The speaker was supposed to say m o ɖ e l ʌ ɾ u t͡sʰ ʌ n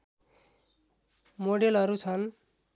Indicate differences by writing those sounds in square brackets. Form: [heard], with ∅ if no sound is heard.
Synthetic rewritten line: m o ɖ e l ʌ ɾ u t͡sʰ ʌ n